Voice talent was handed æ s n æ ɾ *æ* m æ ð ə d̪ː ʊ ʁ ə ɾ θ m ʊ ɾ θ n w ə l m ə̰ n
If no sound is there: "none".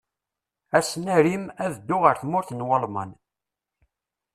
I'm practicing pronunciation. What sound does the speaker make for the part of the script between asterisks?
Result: i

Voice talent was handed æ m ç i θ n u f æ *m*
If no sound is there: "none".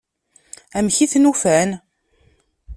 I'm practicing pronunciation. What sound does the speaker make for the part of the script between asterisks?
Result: n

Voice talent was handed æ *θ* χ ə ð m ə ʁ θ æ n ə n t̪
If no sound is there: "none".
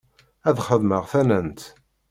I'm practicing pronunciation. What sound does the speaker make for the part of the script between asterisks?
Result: ð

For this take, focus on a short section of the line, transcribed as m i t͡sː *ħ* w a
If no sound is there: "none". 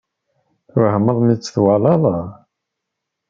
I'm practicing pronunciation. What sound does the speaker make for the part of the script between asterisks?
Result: θ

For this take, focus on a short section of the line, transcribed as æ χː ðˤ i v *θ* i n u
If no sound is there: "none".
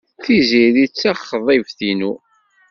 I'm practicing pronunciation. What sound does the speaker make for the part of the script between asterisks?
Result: θ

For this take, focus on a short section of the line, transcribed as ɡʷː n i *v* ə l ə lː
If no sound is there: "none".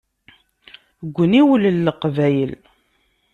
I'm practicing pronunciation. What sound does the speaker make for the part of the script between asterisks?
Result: w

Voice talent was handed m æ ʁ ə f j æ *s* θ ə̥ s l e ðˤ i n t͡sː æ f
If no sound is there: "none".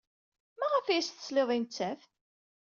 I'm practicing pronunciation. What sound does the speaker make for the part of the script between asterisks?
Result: s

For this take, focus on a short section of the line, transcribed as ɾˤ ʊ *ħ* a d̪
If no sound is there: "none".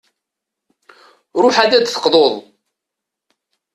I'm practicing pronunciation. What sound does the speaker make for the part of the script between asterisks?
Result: ħ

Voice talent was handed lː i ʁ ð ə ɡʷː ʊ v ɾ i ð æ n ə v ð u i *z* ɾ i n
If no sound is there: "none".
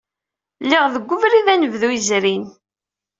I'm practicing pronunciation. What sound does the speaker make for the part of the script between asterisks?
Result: z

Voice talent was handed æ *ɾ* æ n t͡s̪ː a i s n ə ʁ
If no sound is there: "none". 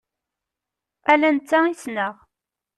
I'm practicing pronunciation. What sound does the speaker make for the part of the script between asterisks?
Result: l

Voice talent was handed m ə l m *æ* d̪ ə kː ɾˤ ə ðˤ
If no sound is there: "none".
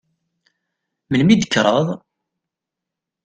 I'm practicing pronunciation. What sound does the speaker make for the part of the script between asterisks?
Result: i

